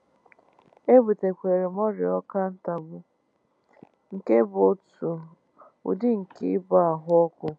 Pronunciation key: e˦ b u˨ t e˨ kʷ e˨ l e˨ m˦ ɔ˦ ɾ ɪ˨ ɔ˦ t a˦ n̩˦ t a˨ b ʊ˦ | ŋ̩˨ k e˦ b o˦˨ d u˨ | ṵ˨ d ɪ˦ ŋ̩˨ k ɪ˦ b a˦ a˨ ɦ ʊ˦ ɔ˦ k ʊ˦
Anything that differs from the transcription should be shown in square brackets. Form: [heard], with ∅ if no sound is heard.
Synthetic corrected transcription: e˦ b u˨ t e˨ kʷ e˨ [ɾ] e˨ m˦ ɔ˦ ɾ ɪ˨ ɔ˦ [k] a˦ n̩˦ t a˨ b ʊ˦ | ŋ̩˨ k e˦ b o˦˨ [t] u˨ | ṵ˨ d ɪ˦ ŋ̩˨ k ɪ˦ b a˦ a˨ ɦ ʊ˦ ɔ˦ k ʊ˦